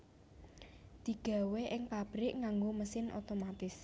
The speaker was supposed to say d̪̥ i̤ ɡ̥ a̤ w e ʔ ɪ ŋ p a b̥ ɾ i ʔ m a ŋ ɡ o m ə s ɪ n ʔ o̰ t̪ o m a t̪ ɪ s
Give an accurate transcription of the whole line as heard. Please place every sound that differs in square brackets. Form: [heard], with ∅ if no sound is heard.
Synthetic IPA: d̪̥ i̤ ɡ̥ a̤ w e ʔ ɪ ŋ p a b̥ ɾ [ɪ] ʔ [ŋ] a ŋ ɡ o m ə s ɪ n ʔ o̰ t̪ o m a t̪ ɪ s